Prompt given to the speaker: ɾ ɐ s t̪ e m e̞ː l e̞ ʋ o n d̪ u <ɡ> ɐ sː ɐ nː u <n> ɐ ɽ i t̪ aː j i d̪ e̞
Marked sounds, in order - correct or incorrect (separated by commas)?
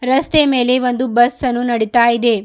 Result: incorrect, correct